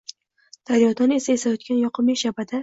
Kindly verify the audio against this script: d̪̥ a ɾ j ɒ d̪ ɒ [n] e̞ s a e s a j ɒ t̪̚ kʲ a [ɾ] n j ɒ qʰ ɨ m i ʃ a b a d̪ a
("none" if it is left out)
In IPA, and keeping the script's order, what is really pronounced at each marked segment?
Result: n, none

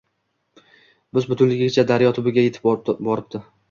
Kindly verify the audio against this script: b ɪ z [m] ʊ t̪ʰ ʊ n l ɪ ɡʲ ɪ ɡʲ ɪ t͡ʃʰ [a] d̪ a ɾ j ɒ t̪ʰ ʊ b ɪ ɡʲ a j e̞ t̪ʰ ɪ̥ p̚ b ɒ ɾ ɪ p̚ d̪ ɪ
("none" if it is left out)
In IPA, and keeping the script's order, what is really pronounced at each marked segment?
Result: b, a

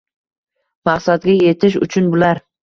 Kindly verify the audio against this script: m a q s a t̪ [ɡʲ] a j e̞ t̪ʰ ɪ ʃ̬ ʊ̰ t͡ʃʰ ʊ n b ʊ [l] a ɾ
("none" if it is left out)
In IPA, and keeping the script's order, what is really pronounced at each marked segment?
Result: ɡʲ, l

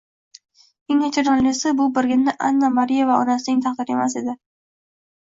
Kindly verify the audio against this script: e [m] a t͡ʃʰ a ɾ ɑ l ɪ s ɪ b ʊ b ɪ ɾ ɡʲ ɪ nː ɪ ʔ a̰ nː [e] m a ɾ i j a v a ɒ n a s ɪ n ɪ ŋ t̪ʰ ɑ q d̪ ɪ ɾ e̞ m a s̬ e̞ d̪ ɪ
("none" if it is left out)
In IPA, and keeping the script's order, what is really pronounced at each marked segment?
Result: ŋ, a

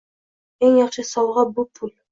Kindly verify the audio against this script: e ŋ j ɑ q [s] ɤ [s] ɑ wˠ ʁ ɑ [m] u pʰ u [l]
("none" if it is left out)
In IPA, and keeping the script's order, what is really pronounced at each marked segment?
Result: ʃ, s, b, l

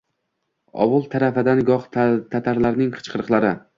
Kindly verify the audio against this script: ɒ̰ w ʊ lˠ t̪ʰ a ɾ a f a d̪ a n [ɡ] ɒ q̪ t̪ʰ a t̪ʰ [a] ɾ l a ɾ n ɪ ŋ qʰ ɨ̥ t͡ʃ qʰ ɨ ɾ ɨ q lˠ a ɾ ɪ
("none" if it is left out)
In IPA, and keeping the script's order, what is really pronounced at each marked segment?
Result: ɡ, a

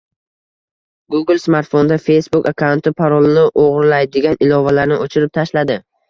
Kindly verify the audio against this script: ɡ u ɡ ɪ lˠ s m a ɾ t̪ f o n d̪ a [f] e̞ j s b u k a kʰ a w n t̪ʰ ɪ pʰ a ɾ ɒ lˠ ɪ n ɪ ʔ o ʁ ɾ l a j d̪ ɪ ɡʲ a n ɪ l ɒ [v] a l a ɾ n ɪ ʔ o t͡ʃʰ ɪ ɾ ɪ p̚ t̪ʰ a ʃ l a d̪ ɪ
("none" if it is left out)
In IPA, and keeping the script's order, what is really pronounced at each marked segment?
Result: f, v

